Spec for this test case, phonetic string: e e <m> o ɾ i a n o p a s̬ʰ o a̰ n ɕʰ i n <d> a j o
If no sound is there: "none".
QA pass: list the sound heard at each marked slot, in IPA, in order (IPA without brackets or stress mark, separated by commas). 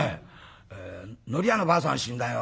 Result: n, d